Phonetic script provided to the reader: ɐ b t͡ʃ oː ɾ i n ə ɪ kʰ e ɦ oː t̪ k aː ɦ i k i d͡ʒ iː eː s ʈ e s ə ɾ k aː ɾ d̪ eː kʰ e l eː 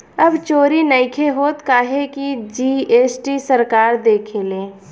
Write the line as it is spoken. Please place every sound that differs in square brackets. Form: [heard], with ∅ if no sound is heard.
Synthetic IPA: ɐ b t͡ʃ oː ɾ i n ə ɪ kʰ e ɦ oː t̪ k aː ɦ [e] k i d͡ʒ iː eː s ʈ [i] s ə ɾ k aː ɾ d̪ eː kʰ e l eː